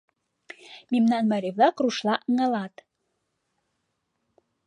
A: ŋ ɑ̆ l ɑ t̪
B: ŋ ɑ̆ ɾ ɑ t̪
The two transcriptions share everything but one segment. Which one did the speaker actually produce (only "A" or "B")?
A